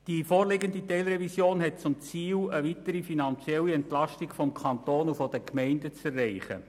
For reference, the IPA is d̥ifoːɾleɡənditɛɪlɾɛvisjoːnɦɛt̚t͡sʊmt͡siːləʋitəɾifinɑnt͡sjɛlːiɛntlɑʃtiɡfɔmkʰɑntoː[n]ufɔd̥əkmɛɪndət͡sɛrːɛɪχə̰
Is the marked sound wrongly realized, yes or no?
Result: no